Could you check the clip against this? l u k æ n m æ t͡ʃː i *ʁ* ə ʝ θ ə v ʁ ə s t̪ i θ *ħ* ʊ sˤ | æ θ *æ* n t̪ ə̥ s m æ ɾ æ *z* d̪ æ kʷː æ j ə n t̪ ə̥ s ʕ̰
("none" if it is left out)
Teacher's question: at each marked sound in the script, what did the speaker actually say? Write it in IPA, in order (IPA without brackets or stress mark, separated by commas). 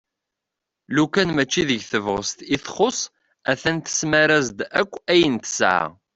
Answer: ð, χ, æ, z